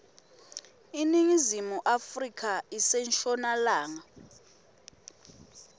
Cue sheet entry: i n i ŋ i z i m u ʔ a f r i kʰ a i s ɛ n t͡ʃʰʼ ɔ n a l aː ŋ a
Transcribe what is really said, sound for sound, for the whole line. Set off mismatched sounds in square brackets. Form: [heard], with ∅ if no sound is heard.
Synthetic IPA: i n i ŋ i z i m u ʔ a f r i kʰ a i s ɛ n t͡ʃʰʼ ɔ n a l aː ŋ a